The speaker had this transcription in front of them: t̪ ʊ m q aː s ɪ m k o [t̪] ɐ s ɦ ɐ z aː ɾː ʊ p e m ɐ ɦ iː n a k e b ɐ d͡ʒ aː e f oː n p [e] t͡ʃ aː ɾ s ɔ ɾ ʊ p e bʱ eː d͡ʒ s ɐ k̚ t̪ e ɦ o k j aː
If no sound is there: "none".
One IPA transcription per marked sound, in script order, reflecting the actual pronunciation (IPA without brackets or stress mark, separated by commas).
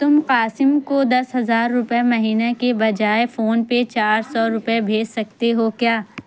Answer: d̪, e